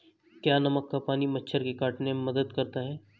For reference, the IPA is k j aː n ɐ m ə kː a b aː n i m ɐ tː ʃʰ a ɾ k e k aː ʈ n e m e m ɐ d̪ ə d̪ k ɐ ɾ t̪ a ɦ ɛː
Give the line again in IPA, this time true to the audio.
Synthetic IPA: k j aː n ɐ m ə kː a p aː n i m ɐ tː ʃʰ ə ɾ k e k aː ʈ n e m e m ɐ d̪ ə d̪ k ɐ ɾ t̪ a ɦ ɛː